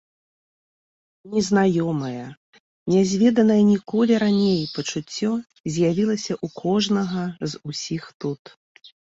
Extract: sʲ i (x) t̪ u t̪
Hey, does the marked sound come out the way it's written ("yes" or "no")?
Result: yes